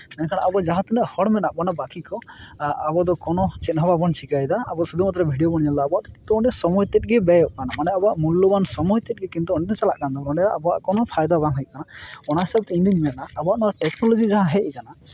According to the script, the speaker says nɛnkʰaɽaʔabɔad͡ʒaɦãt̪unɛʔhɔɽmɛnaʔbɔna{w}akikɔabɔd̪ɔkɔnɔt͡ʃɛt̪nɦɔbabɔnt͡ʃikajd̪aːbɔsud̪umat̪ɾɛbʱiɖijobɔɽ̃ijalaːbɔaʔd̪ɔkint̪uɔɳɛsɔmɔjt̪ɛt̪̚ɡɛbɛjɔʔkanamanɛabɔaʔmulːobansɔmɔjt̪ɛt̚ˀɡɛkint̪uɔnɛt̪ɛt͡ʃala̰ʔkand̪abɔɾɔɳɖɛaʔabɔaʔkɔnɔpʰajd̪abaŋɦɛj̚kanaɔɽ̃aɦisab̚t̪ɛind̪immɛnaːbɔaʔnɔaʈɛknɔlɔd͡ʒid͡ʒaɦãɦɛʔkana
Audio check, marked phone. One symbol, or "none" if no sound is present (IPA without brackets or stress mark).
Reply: b